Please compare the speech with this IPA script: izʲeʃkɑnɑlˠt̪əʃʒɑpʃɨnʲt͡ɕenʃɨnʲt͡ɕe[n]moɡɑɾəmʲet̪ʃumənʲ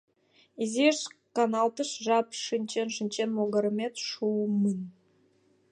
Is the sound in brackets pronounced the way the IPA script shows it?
yes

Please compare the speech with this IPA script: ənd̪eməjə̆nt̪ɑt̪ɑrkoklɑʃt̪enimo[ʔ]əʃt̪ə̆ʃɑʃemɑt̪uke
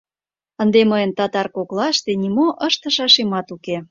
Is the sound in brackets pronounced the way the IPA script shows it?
yes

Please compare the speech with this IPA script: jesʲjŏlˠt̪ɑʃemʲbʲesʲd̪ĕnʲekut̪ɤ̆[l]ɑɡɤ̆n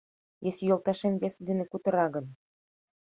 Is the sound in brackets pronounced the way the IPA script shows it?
no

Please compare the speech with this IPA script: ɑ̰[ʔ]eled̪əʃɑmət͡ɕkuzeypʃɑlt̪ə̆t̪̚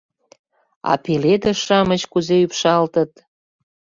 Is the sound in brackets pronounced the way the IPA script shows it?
no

